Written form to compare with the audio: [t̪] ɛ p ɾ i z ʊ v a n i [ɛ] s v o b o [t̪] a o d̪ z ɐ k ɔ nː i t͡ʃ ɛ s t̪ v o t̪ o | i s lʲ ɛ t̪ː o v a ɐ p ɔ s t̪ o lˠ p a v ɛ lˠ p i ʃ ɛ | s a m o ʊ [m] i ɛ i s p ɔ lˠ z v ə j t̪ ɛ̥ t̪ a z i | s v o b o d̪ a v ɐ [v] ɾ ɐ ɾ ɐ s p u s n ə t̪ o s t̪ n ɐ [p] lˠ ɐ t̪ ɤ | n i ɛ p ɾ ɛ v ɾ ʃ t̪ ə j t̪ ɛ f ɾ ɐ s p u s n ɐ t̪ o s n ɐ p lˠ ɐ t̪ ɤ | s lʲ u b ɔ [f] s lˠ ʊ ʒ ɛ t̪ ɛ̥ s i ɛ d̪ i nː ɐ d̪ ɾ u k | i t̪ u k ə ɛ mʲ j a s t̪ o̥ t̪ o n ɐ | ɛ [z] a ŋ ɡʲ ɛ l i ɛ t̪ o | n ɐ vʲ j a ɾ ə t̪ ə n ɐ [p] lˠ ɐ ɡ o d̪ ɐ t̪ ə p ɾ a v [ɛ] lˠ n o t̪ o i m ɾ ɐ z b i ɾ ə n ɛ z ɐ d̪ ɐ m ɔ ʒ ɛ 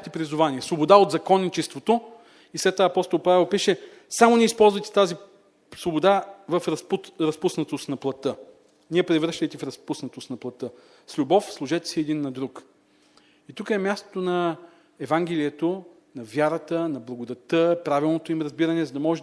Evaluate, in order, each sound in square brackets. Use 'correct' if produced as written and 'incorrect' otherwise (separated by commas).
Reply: correct, correct, incorrect, incorrect, incorrect, correct, correct, incorrect, incorrect, incorrect